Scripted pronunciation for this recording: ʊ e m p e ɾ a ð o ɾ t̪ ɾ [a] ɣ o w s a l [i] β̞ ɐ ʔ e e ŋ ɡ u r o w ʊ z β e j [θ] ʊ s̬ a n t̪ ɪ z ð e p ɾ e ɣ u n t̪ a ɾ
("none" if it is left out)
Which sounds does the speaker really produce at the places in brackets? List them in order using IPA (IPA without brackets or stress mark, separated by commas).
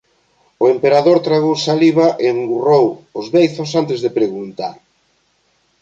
a, i, θ